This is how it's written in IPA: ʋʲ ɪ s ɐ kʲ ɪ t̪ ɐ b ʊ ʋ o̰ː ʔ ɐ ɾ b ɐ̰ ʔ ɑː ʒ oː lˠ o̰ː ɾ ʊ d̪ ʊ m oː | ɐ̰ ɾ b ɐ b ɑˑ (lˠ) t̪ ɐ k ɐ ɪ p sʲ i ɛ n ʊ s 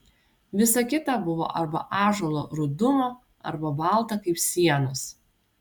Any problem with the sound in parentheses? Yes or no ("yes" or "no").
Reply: no